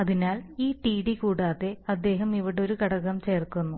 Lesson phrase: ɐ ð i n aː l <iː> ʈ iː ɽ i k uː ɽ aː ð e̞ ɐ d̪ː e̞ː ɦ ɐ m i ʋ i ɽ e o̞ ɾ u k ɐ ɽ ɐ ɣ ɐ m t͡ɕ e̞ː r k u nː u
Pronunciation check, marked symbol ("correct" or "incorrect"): correct